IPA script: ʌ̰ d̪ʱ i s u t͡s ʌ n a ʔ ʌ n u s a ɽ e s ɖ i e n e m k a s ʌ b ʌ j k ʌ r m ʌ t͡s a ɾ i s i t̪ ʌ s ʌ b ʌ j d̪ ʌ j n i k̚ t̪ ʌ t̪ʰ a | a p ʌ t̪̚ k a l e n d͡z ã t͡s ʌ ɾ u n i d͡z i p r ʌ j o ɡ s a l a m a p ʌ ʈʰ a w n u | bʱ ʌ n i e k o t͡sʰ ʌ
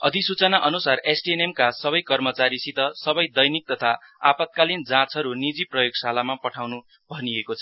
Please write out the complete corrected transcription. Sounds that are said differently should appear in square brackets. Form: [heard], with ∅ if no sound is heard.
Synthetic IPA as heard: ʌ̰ d̪ʱ i s u t͡s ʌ n a ʔ ʌ n u s a [r] e s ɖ i e n e m k a s ʌ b ʌ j k ʌ r m ʌ t͡s a ɾ i s i t̪ ʌ s ʌ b ʌ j d̪ ʌ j n i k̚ t̪ ʌ t̪ʰ a | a p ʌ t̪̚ k a l [i] n d͡z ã t͡s ʌ ɾ u n i d͡z i p r ʌ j o ɡ s a l a m a p ʌ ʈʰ a w n u | bʱ ʌ n i e k o t͡sʰ ʌ